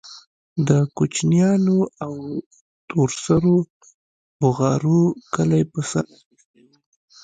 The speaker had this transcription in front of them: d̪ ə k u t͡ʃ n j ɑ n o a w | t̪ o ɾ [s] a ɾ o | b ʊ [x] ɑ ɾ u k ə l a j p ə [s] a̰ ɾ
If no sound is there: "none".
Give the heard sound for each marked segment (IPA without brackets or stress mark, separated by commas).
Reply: s, ɣ, s